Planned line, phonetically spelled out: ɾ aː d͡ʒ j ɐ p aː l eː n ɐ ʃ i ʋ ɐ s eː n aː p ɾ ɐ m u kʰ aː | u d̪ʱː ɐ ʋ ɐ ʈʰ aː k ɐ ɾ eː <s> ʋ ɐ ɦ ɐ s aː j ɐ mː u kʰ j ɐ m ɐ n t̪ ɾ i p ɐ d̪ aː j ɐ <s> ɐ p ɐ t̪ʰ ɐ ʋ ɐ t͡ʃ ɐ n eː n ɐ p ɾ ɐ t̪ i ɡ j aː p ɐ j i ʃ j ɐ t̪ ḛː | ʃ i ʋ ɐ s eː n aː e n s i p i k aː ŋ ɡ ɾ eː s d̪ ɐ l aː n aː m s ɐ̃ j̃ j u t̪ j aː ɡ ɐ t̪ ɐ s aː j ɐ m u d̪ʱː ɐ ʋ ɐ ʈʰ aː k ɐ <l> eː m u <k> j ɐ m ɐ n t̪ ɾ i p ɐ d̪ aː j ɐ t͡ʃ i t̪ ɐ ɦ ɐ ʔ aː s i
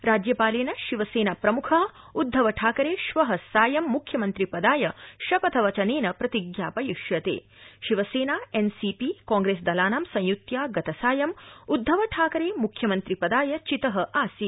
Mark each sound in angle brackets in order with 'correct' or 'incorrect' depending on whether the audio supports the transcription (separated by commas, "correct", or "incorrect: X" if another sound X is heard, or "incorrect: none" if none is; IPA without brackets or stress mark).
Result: incorrect: ʃ, incorrect: ʃ, incorrect: ɾ, incorrect: kʰ